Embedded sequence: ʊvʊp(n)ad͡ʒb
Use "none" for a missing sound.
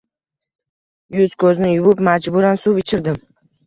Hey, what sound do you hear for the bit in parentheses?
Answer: m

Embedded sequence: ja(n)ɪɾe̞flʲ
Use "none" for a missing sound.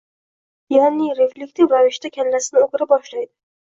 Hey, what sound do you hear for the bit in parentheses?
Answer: n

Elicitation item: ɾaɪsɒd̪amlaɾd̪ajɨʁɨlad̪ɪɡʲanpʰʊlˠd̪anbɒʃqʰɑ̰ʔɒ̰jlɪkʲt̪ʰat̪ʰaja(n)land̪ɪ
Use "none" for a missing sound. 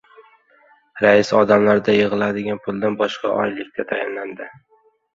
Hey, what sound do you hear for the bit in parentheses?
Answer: n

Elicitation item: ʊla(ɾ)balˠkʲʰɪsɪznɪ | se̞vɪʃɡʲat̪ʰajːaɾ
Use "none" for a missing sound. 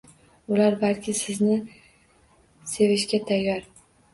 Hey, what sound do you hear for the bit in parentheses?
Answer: ɾ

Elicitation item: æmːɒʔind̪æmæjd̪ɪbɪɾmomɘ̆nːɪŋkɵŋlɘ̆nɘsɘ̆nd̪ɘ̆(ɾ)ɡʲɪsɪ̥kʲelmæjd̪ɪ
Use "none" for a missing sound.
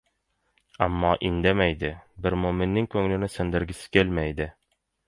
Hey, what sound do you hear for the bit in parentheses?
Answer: ɾ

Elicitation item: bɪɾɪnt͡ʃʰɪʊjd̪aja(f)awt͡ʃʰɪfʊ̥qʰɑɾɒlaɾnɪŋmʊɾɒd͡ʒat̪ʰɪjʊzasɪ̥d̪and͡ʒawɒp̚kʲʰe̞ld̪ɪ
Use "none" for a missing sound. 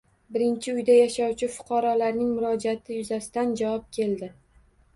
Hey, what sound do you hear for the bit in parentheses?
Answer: ʃ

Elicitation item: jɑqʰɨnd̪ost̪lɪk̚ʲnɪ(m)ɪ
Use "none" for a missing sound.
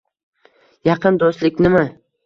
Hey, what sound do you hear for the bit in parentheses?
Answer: m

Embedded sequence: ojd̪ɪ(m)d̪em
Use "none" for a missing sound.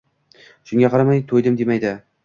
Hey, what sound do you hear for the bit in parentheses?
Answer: m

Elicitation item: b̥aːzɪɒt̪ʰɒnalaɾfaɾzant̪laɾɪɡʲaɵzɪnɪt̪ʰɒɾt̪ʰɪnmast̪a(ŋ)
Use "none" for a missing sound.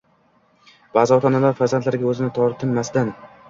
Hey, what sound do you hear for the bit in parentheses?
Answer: n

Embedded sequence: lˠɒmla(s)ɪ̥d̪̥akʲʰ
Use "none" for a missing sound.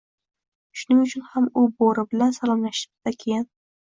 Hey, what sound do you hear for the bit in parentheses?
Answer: ʃ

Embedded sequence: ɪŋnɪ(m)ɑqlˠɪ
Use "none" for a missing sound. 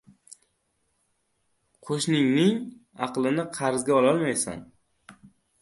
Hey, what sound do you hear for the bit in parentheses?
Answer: ŋ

